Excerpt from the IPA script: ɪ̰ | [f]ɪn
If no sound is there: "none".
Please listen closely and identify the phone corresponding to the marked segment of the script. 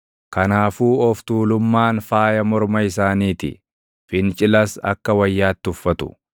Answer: f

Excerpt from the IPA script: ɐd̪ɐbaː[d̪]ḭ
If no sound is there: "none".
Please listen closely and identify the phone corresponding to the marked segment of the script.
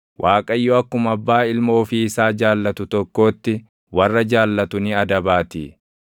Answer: t̪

